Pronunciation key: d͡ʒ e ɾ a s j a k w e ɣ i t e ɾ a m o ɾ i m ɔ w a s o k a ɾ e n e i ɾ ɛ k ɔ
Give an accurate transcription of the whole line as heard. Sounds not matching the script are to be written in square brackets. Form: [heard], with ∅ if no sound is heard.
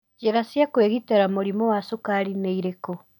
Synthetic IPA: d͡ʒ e ɾ a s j a k w e ɣ i t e ɾ a m o ɾ i m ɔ w a s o k a ɾ [i] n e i ɾ [e] k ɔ